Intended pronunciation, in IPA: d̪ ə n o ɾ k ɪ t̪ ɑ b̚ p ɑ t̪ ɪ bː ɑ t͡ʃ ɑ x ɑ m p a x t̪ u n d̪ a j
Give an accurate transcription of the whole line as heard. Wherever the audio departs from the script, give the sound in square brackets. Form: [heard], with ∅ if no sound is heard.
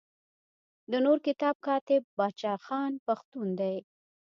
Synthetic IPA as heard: d̪ ə n o ɾ k ɪ t̪ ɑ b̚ [k] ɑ t̪ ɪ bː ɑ t͡ʃ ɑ x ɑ [n] p a x t̪ u n d̪ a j